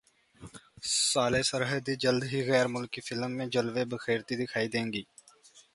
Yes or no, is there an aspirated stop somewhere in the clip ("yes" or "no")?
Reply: yes